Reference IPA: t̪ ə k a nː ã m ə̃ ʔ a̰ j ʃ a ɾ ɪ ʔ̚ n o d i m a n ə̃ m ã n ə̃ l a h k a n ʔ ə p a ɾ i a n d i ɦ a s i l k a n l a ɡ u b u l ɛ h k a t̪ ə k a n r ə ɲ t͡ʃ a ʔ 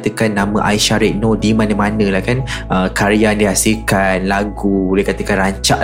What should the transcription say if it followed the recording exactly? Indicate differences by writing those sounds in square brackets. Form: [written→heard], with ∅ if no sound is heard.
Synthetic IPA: t̪ ə k a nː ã m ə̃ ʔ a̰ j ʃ a ɾ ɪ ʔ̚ n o d i m a n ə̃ m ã n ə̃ l a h k a n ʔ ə [p→k] a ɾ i a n d i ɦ a s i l k a n l a ɡ u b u l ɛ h k a t̪ ə k a n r [ə→a] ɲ t͡ʃ a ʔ